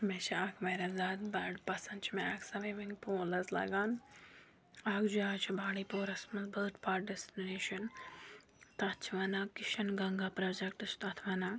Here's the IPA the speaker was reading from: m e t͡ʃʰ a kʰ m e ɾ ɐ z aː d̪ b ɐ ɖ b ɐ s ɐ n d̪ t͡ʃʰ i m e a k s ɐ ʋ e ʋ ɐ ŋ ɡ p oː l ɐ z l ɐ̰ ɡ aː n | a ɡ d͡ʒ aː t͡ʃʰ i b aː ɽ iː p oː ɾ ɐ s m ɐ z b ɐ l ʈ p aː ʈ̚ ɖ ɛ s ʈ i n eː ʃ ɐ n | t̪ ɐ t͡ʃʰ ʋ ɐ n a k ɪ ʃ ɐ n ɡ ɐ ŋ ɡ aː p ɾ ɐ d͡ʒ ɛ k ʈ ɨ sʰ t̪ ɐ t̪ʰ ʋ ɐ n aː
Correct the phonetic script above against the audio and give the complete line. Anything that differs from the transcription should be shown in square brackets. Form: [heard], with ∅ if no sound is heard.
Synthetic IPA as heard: m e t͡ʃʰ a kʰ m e ɾ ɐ z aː d̪ b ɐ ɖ [p] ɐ s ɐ n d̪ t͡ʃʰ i m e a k s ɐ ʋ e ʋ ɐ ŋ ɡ p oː l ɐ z l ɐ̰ ɡ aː n | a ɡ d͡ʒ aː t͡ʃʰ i b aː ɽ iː p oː ɾ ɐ s m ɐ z b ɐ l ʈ p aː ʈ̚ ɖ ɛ s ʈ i n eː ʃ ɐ n | t̪ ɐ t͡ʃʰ ʋ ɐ n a k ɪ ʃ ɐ n ɡ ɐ ŋ ɡ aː p ɾ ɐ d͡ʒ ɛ k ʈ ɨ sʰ t̪ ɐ t̪ʰ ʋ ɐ n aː